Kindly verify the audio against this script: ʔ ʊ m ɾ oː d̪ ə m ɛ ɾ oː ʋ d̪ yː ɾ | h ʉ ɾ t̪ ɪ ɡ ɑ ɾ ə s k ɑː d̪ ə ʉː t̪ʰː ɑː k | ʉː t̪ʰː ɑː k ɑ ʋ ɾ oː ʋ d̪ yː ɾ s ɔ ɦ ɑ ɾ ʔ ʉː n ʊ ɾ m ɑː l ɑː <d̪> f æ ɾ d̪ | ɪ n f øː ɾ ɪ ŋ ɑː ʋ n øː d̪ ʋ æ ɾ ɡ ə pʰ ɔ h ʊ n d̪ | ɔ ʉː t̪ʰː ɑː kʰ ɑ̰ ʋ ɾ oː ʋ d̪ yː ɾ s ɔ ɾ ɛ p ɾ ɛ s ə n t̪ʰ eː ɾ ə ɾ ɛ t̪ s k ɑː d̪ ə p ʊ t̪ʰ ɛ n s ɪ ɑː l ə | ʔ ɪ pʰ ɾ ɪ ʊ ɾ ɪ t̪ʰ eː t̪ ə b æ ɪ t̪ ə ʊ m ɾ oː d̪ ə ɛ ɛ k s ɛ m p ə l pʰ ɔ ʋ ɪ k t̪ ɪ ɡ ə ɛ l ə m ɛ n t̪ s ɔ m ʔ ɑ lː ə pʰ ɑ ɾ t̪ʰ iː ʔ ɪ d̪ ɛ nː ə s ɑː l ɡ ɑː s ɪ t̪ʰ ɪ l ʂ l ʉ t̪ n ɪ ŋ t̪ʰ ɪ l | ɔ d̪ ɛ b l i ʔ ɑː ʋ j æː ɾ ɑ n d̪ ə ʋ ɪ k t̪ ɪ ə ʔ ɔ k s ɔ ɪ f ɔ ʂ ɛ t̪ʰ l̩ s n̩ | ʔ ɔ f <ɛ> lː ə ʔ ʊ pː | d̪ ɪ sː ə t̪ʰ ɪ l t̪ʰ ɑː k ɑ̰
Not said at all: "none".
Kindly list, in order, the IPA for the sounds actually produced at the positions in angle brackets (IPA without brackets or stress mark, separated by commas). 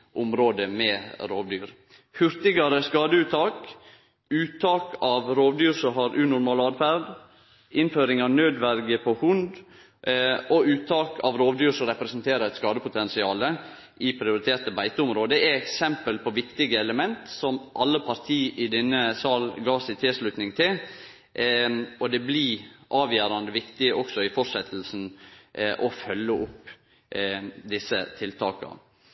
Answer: d̪, œ